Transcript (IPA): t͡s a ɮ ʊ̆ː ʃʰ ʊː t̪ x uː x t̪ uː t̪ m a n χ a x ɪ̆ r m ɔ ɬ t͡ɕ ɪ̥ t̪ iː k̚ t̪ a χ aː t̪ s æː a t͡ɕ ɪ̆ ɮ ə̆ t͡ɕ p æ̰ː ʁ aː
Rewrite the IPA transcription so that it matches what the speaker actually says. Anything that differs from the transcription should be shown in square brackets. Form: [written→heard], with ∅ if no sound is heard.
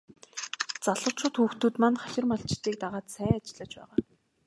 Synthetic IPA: t͡s a ɮ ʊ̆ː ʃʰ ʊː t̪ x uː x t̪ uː t̪ m a n χ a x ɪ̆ r m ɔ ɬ t͡ɕ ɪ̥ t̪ iː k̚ t̪ a [χ→ʁ] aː t̪ s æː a t͡ɕ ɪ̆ ɮ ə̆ t͡ɕ p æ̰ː ʁ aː